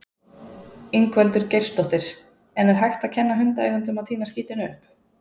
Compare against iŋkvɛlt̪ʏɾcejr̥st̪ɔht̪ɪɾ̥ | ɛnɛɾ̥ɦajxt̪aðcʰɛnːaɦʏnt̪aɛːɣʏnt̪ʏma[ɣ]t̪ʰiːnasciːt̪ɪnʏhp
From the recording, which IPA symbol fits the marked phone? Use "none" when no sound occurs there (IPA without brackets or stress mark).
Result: ð